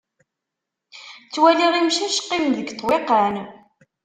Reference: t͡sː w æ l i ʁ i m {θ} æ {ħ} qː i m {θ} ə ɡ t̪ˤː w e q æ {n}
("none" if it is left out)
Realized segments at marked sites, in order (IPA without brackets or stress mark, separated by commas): ʃ, ʃ, ð, n